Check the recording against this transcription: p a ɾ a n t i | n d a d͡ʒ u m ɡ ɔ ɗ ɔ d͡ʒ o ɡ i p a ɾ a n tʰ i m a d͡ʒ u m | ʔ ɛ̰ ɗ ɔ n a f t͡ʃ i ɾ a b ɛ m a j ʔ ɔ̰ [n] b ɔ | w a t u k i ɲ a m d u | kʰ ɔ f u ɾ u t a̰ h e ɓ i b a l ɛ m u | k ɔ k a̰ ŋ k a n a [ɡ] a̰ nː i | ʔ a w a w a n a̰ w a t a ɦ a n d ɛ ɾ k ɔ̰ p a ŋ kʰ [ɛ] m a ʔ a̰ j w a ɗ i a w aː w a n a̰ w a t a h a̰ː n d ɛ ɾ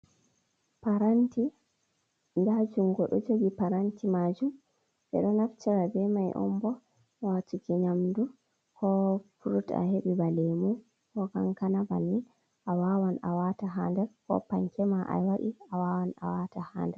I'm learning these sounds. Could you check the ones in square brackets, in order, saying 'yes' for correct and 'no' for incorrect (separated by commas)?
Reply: no, no, yes